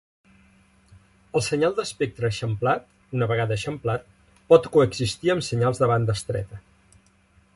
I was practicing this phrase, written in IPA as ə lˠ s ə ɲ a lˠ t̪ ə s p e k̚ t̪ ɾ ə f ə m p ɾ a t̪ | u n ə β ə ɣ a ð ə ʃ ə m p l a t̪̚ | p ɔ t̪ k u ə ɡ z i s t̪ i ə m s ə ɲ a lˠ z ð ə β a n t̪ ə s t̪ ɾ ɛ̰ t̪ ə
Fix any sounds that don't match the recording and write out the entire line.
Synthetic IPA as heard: ə lˠ s ə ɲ a lˠ d̪ ə s p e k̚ t̪ ɾ ə ʃ ə m p l a t̪ | u n ə β ə ɣ a ð ə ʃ ə m p l a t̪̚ | p ɔ t̪ k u ə ɡ z i s t̪ i ə m s ə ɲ a lˠ z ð ə β a n d̪ ə s t̪ ɾ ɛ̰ t̪ ə